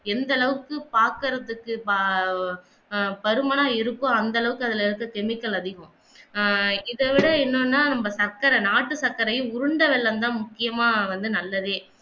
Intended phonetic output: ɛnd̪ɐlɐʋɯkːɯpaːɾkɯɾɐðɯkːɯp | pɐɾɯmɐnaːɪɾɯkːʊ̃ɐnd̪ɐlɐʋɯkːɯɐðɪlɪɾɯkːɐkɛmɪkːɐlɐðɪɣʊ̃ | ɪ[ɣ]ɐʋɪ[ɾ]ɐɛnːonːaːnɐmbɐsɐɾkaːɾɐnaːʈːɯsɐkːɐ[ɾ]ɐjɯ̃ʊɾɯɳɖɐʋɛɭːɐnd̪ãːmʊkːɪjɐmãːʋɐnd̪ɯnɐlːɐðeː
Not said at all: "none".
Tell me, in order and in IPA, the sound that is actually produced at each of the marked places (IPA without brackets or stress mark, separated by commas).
ð, ɽ, ɾ